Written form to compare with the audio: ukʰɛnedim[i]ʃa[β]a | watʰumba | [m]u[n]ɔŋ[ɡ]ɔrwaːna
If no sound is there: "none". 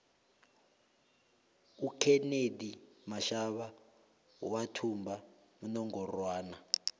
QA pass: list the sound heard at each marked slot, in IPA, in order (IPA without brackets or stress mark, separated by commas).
a, β, m, n, ɡ